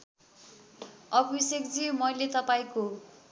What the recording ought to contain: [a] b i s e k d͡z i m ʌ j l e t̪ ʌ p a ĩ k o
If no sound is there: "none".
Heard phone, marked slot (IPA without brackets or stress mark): ʌ